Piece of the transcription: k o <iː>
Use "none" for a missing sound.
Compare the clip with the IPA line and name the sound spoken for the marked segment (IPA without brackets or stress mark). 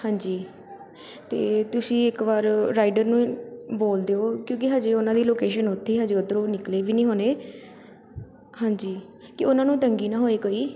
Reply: iː